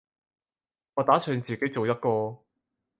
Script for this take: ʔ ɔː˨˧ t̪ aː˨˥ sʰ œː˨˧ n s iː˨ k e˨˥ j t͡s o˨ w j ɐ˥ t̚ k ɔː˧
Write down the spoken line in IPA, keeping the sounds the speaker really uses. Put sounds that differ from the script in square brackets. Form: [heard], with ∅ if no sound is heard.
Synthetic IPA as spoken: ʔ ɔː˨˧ t̪ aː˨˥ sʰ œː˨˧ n [t͡s] iː˨ k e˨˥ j t͡s o˨ w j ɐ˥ t̚ k ɔː˧